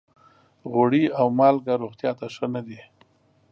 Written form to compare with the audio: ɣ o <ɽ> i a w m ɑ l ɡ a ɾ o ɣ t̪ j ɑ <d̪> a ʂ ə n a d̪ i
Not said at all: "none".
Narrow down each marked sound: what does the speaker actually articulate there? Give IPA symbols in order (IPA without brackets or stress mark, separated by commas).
ɽ, t̪